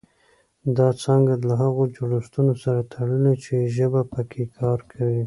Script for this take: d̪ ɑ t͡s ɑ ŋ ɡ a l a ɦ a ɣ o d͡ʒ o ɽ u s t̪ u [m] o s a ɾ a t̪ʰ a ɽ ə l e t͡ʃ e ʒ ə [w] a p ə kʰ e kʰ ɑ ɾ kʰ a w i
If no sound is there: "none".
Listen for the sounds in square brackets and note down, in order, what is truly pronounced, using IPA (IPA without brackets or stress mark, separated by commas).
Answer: n, b